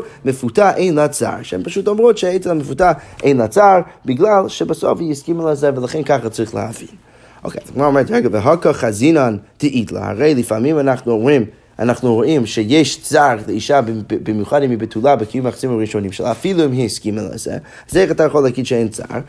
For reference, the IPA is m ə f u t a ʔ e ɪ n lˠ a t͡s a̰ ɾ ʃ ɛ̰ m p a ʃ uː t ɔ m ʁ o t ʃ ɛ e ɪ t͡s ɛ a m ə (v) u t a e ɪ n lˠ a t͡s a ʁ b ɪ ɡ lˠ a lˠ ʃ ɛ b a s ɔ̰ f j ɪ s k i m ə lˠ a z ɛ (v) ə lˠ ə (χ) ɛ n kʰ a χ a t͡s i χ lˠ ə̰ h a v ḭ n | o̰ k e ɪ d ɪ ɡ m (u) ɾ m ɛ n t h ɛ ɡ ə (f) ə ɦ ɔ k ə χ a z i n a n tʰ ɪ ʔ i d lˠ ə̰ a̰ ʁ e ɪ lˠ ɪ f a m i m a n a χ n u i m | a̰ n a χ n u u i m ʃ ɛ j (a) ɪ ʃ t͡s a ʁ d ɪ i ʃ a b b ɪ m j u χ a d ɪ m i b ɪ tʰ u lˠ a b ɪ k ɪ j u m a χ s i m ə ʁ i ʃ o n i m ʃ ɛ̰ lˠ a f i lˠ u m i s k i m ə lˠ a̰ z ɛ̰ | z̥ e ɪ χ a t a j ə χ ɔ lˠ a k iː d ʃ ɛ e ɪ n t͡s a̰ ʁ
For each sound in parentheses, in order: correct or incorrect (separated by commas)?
incorrect, correct, correct, incorrect, incorrect, incorrect